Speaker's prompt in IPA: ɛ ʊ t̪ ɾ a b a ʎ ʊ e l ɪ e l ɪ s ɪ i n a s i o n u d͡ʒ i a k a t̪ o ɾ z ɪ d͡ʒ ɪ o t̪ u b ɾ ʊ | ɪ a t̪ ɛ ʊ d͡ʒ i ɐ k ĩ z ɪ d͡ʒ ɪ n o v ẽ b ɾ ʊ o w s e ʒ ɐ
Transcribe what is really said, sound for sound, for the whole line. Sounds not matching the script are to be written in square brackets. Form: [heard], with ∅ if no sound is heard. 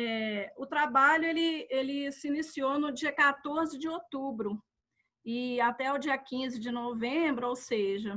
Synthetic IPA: ɛ ʊ t̪ ɾ a b a ʎ ʊ e l ɪ e l ɪ s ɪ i n [i] s i o n [ʊ] d͡ʒ i [ɐ] k a t̪ o ɾ z ɪ d͡ʒ ɪ o t̪ u b ɾ ʊ | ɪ a t̪ ɛ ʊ d͡ʒ i ɐ k ĩ z ɪ d͡ʒ ɪ n o v ẽ b ɾ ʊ o w s e ʒ ɐ